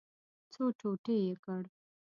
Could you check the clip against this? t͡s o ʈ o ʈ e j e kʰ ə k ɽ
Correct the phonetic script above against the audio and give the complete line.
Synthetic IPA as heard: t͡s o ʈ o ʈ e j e k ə ɽ

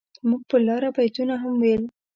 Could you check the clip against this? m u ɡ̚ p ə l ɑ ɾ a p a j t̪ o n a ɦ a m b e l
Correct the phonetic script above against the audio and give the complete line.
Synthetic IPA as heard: m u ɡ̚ p ə l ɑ ɾ a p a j t̪ u n a ɦ a m w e l

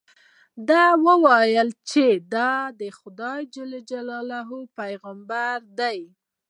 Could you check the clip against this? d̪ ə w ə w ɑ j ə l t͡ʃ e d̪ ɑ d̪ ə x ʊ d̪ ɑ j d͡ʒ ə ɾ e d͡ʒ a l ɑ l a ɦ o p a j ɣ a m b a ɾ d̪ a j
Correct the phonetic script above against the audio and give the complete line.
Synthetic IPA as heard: d̪ ɑ w ə w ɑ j ə l t͡ʃ e d̪ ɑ d̪ ə x ʊ d̪ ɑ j d͡ʒ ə l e d͡ʒ a l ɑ l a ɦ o p a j ɣ a m b a ɾ d̪ a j

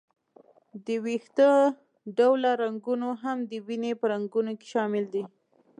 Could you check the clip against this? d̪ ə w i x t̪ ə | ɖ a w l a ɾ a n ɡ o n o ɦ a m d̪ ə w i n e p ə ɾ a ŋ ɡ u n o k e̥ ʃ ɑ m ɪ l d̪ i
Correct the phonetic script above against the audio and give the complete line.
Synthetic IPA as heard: d̪ ə w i x t̪ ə | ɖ a w l a ɾ a ŋ ɡ u n o ɦ a m d̪ ə w i n e p ə ɾ a ŋ ɡ u n o k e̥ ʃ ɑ m ɪ l d̪ i

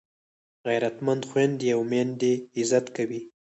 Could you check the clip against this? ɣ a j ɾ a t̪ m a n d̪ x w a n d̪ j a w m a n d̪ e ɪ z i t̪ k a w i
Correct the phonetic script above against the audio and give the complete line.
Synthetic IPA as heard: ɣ a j ɾ a t̪ m a n d̪ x w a n d̪ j a w m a n d̪ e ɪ z a t̪ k a w i

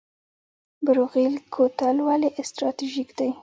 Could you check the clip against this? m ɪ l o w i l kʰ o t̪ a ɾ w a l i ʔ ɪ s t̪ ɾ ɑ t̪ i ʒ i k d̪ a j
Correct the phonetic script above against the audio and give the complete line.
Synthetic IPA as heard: b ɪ ɾ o ɣ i l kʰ o t̪ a l w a l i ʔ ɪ s t̪ ɾ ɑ t̪ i ʒ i k d̪ a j

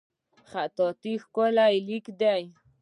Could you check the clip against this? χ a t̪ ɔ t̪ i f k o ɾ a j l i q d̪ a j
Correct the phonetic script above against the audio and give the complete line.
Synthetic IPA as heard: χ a t̪ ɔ t̪ i x k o l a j l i k d̪ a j

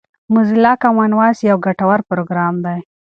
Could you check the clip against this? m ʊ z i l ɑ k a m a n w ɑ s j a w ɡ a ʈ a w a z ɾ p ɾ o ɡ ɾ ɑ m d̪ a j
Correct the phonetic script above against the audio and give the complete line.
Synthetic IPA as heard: m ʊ z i l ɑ k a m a n w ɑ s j a w ɡ a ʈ a w a ɾ p ɾ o ɡ ɾ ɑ m d̪ a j

